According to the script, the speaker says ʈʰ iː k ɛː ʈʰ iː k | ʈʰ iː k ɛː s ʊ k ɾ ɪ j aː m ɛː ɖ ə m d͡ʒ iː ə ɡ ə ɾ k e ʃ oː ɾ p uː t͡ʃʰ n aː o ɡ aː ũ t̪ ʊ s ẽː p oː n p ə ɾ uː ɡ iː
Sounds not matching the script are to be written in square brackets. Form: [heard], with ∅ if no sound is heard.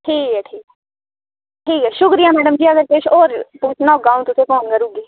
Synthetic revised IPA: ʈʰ iː k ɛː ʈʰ iː k | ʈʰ iː k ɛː [ʃ] ʊ k ɾ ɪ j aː m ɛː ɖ ə m d͡ʒ iː ə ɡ ə ɾ k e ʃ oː ɾ p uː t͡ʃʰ n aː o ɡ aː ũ t̪ ʊ s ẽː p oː n [k] ə ɾ uː ɡ iː